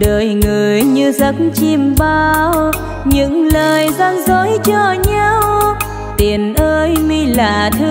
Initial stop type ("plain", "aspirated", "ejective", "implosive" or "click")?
implosive